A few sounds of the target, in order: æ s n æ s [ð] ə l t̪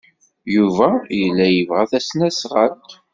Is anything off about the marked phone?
yes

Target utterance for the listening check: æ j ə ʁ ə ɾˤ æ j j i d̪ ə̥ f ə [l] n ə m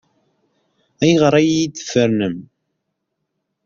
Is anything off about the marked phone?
yes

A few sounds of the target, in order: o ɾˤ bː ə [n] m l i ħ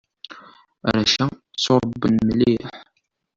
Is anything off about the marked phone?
no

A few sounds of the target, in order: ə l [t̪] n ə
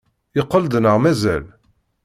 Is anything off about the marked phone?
yes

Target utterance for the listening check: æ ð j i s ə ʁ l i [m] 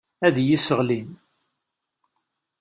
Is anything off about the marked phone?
yes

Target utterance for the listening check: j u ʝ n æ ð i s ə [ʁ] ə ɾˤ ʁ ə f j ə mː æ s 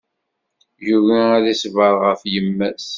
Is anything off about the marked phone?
yes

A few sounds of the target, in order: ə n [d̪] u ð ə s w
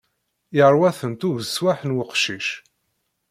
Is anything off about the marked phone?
yes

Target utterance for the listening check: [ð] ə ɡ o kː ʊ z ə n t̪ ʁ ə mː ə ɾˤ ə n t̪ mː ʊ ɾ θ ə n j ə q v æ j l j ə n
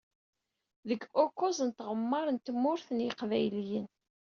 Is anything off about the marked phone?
no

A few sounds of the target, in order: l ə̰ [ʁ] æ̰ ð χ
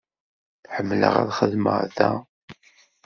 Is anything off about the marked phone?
no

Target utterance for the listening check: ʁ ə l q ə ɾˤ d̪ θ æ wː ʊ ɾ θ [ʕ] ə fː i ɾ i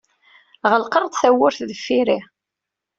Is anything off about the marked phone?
yes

